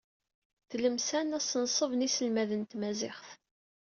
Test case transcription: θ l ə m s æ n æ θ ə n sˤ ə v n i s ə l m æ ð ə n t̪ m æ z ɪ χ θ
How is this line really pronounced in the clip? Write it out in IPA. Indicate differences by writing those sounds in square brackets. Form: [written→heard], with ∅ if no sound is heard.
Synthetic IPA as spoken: θ l ə m s æ n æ [θ→s] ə n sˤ ə v n i s ə l m æ ð ə n t̪ m æ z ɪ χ θ